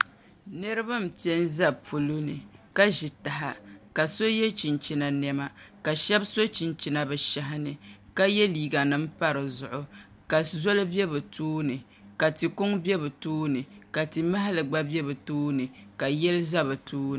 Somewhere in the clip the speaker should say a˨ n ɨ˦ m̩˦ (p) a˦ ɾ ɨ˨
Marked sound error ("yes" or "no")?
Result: no